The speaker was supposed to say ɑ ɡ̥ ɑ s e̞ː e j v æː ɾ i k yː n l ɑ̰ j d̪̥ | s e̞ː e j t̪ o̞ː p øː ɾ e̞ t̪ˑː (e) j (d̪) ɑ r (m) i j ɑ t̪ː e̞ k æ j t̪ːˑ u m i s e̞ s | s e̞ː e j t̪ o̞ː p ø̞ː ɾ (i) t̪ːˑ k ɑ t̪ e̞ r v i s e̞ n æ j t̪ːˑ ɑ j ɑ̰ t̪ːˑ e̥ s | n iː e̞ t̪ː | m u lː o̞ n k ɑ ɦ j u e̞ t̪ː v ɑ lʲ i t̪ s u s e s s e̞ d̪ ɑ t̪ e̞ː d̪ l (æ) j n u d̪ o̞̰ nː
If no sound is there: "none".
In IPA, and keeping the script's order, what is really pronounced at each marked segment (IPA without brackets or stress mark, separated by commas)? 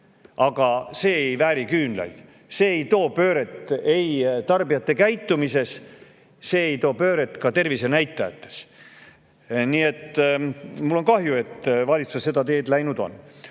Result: e, t̪, b, e, æ